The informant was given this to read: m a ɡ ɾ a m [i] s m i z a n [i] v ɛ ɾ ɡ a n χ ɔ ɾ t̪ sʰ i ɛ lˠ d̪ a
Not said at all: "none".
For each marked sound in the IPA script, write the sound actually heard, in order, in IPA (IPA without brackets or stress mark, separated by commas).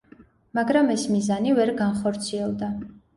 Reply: ɛ, i